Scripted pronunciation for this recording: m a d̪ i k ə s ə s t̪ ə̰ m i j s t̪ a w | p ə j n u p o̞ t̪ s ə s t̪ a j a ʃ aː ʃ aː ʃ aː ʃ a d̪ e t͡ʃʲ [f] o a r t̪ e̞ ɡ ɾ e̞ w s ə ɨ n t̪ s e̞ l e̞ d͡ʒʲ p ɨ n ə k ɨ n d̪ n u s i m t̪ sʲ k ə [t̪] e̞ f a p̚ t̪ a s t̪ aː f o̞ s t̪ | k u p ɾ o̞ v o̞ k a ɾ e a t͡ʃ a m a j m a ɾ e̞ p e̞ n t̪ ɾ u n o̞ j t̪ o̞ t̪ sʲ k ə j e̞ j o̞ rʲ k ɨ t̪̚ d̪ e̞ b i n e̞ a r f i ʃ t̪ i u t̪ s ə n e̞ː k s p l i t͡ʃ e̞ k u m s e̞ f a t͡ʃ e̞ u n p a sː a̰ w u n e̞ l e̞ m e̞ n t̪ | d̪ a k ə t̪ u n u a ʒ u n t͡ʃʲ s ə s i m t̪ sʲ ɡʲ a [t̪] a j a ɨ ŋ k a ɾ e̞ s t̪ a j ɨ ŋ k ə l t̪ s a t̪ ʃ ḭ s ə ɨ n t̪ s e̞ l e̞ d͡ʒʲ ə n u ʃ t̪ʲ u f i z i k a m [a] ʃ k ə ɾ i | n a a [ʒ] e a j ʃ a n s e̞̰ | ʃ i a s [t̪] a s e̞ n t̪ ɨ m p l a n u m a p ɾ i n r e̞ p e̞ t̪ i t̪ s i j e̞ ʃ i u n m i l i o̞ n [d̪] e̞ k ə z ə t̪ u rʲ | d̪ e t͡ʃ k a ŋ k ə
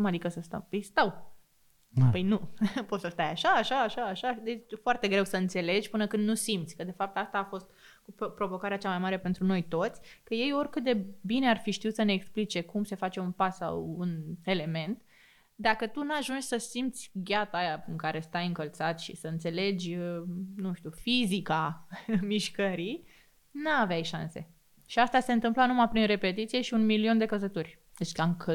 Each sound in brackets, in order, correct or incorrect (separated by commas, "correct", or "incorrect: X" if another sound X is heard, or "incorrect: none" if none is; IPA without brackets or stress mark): correct, incorrect: d̪, correct, incorrect: i, incorrect: v, correct, correct